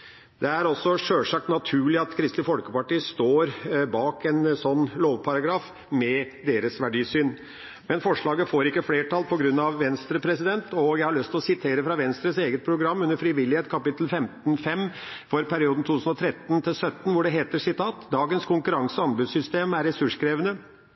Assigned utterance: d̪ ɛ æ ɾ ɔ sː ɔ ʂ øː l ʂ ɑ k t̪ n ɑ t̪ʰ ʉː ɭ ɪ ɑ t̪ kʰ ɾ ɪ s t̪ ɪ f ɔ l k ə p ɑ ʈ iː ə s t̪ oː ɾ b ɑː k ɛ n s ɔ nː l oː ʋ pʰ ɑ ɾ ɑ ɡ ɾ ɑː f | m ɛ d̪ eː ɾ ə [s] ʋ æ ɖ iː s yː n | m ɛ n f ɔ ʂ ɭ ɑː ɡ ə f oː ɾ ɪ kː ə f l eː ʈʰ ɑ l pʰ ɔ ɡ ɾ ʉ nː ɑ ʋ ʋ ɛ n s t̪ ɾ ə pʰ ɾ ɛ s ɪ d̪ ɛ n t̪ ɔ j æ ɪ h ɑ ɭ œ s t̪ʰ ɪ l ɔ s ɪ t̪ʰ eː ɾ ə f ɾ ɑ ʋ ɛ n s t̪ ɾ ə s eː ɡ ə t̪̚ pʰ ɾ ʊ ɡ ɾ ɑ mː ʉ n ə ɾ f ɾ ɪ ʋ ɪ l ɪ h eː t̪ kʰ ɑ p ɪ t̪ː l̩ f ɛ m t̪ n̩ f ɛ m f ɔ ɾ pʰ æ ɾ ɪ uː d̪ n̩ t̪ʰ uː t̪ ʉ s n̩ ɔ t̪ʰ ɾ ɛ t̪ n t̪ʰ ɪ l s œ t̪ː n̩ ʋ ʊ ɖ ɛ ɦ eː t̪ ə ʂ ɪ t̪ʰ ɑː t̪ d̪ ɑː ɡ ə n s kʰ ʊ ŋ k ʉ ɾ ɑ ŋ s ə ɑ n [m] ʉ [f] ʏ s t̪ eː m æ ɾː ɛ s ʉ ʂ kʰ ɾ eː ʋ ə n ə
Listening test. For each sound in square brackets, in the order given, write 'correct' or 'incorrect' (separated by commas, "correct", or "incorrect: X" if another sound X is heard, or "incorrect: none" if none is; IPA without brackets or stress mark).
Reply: correct, incorrect: b, incorrect: s